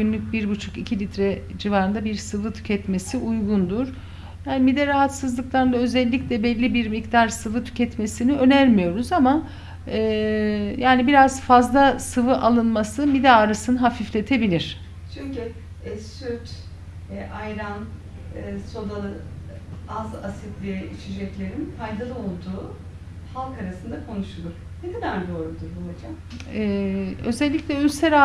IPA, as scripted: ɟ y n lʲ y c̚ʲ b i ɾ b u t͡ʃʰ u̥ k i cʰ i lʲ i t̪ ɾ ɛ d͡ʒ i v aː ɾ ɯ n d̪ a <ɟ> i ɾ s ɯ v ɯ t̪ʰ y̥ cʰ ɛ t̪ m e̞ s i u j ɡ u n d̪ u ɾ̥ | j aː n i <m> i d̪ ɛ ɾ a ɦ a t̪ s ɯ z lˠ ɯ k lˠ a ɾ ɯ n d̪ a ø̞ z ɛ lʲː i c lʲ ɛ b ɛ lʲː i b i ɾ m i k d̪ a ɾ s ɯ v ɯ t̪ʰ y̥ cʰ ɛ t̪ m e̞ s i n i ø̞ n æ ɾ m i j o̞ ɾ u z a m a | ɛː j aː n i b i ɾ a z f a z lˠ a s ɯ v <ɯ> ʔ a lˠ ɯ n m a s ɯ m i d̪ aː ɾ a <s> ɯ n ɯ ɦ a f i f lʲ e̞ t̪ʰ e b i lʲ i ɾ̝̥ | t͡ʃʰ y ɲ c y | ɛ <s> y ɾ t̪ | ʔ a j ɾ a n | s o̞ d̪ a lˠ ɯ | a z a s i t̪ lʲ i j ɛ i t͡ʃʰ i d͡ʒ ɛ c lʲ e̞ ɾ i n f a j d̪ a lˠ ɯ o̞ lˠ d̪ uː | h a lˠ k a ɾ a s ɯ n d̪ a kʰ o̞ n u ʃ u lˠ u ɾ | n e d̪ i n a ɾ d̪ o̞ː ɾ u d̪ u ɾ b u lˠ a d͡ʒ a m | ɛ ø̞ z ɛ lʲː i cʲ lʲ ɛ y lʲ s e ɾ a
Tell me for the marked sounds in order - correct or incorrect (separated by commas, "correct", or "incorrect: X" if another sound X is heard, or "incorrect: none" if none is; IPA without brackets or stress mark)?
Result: incorrect: b, correct, correct, correct, correct